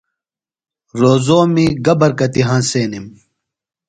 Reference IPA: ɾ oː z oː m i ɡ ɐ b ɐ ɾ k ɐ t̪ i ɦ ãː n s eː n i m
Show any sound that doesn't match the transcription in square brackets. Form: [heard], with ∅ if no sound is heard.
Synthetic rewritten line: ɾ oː z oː m i ɡ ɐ b ɐ ɾ k ɐ t̪ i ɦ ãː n s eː n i m